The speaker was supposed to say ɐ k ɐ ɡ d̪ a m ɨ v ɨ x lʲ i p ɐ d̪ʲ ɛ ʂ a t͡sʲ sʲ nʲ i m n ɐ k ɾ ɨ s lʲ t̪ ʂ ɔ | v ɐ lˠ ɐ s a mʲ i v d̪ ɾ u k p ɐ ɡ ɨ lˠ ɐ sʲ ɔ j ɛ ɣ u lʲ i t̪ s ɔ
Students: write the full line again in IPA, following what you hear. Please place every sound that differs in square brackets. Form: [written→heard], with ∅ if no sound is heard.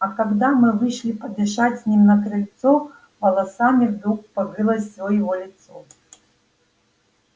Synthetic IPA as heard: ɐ k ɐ ɡ d̪ a m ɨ v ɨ [x→ʂ] lʲ i p ɐ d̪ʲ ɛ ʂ a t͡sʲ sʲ nʲ i m n ɐ k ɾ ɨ [s→∅] lʲ t̪ [ʂ→s] ɔ | v ɐ lˠ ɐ s a mʲ i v d̪ ɾ u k p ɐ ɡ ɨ lˠ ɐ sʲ ɔ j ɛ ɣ [u→ɔ] lʲ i t̪ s ɔ